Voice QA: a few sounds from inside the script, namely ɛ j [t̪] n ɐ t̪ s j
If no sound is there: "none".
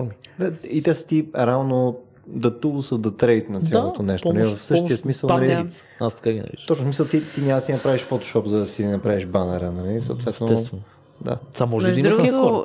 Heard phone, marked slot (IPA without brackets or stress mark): t̪